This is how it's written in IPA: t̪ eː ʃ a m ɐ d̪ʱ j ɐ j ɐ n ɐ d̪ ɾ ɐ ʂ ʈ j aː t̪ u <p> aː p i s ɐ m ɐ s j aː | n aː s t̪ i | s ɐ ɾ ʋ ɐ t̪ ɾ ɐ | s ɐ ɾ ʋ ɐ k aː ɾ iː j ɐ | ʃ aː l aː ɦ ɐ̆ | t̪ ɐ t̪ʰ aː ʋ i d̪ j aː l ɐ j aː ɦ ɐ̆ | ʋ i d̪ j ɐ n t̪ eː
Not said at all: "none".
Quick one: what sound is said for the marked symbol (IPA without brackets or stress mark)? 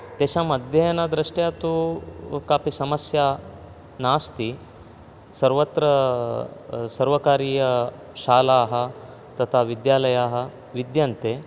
k